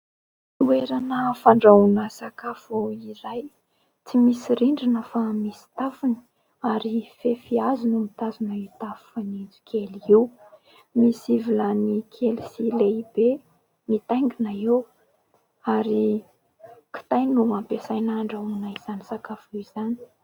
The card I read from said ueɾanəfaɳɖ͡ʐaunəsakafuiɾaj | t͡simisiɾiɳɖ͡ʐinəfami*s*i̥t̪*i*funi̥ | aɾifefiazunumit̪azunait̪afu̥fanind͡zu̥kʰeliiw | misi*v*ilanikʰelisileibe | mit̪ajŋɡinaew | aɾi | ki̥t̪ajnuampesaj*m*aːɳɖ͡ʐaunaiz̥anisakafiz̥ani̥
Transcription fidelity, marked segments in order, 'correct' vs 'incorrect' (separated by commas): correct, incorrect, correct, incorrect